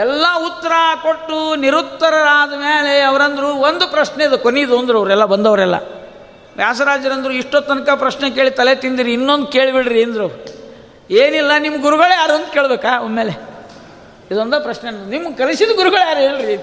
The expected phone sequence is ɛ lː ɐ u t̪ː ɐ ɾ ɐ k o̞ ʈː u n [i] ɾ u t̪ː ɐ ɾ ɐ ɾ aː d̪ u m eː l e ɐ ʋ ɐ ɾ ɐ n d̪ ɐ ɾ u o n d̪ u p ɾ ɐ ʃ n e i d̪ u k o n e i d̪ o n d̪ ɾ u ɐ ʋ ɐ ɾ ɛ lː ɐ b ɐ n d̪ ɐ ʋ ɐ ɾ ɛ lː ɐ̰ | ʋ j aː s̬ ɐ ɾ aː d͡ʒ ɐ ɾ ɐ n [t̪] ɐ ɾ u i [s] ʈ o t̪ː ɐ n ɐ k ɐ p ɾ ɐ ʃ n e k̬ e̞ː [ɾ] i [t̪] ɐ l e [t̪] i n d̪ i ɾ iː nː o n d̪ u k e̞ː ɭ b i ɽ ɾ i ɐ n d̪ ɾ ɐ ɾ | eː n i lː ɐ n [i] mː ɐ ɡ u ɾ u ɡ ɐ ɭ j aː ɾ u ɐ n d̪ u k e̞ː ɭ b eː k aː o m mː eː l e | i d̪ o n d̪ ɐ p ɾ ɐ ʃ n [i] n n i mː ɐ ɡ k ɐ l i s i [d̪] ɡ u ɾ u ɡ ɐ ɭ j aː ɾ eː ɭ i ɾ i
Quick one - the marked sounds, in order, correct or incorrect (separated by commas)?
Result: correct, incorrect, incorrect, incorrect, correct, correct, correct, incorrect, correct